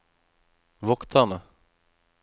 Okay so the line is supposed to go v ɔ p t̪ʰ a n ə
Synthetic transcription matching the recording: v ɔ k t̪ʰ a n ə